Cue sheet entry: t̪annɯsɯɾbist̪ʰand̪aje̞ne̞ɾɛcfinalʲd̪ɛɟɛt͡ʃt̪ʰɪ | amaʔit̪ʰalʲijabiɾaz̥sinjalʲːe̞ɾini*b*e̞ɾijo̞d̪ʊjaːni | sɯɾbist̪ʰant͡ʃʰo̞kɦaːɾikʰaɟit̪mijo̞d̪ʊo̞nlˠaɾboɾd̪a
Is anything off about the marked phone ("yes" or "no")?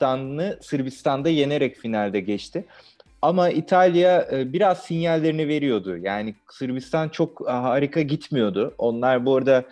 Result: yes